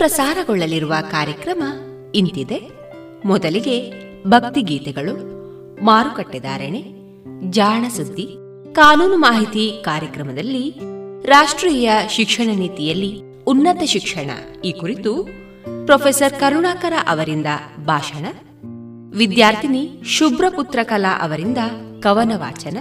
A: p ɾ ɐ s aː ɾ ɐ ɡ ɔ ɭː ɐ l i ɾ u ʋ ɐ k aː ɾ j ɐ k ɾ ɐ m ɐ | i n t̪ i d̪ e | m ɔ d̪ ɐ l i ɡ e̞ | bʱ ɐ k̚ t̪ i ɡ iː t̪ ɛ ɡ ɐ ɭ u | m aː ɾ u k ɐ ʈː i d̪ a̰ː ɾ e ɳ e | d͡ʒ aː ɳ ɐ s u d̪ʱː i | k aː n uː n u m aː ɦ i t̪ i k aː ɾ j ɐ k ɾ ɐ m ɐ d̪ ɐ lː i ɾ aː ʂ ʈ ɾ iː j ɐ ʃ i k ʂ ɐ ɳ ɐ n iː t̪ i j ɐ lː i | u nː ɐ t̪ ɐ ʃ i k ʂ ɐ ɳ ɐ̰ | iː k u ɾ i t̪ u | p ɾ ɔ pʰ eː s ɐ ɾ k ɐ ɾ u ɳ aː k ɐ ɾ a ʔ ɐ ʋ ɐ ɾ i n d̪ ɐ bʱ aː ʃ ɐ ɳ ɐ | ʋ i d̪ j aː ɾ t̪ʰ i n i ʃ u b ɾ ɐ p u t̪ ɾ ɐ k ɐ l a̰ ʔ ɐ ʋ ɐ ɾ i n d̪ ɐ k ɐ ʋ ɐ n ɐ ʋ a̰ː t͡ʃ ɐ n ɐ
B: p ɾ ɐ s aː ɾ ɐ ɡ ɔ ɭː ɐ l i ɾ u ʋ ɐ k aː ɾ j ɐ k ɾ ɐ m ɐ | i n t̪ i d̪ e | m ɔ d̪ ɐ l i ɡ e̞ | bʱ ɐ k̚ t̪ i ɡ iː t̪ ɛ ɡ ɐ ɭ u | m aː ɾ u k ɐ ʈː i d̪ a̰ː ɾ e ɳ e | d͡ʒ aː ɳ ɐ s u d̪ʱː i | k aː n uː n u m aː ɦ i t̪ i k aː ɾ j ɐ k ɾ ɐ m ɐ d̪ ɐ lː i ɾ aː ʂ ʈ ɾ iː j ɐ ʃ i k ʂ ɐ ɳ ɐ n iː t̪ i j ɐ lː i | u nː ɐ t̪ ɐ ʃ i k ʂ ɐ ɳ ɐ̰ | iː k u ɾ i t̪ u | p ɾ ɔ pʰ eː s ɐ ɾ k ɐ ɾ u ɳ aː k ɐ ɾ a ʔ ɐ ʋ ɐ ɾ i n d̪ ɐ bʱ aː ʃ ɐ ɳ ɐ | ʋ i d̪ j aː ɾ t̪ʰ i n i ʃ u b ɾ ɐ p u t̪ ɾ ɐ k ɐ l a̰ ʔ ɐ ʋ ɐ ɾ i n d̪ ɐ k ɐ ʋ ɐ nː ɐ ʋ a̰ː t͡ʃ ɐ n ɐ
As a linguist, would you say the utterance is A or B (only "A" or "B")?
A